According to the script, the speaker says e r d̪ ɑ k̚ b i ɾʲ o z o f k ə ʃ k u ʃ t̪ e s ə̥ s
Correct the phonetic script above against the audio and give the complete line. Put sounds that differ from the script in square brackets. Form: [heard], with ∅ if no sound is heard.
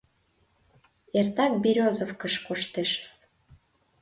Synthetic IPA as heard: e r [t̪] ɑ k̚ b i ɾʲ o z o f k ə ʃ k [o] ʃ t̪ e [ʃ] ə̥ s